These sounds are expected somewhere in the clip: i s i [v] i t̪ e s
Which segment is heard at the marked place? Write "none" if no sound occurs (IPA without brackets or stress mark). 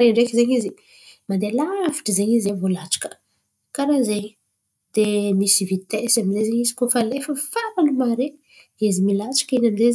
v